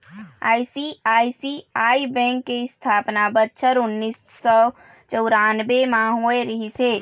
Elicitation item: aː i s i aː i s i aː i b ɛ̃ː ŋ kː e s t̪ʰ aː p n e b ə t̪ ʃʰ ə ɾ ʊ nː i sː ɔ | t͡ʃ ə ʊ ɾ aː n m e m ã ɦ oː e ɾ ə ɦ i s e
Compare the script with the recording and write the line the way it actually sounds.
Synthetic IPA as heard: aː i s i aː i s i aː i b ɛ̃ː ŋ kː e s t̪ʰ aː p n a b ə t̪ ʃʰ ə ɾ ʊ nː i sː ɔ | t͡ʃ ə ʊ ɾ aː n b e m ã ɦ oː e ɾ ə ɦ i s e